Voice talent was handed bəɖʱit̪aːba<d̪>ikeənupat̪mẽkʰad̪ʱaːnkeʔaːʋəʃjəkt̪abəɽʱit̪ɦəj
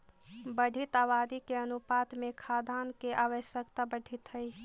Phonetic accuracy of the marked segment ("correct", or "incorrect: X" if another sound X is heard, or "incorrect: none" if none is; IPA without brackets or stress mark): correct